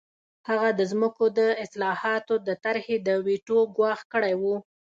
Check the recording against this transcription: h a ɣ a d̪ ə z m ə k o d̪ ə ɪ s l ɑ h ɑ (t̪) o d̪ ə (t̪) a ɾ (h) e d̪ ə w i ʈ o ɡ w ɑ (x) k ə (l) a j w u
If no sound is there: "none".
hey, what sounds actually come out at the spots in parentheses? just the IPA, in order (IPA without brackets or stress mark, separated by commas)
t̪, t̪, h, x, ɽ